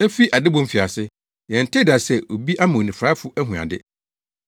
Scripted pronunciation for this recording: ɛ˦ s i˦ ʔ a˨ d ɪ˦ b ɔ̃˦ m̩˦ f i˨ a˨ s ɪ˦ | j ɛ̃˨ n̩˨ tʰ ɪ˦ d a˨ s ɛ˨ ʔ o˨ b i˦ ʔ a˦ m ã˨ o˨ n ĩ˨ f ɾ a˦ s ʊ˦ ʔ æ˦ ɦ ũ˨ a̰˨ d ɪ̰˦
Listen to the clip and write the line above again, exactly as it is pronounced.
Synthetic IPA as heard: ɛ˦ f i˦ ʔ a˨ d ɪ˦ b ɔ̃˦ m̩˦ f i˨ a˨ s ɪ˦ | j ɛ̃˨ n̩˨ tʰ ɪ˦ d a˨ s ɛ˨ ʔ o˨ b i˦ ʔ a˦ m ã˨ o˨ n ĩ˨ f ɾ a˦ f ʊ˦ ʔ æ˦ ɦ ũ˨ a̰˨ d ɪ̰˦